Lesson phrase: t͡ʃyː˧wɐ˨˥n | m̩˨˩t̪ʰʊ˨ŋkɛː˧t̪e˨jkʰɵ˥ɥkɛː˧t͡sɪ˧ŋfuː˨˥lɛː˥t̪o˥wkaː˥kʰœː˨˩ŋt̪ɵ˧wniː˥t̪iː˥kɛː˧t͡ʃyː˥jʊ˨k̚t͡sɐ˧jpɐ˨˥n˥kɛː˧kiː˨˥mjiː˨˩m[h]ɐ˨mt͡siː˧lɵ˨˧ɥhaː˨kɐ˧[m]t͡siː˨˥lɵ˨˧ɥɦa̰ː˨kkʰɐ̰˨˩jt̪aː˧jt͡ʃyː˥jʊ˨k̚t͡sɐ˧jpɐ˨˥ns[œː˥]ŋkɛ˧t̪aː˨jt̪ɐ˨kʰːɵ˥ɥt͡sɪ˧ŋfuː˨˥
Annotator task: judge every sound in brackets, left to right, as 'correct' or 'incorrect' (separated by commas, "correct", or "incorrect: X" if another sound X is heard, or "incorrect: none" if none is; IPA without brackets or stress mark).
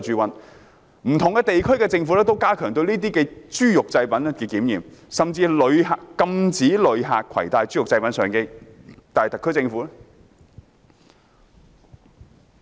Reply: incorrect: s, correct, incorrect: œː˨˩